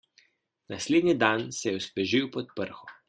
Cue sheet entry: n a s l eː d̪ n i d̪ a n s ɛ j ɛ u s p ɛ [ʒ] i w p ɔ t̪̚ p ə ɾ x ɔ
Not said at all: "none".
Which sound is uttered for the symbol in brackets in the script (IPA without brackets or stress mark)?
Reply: ʒ